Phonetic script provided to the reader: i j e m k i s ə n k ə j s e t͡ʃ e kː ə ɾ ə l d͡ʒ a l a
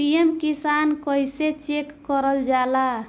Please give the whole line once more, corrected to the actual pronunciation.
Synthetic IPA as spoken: i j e m k i s a n k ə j s e t͡ʃ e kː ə ɾ ə l d͡ʒ a l a